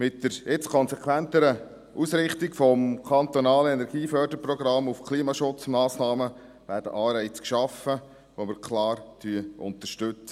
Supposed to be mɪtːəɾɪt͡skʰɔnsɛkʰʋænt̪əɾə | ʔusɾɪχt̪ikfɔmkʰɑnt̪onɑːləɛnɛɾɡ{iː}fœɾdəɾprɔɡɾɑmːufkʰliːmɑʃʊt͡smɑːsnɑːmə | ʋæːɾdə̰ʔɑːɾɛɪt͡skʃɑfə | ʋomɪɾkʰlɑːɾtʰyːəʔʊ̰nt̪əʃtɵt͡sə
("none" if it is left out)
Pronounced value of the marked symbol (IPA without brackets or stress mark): iː